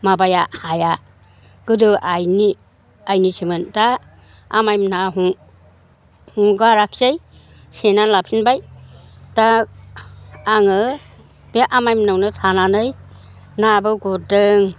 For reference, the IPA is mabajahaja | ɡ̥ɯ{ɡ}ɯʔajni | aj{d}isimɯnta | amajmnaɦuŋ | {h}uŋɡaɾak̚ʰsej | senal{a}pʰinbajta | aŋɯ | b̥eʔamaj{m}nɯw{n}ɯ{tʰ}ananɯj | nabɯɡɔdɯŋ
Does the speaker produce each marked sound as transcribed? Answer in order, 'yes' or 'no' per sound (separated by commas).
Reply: no, no, yes, yes, yes, yes, yes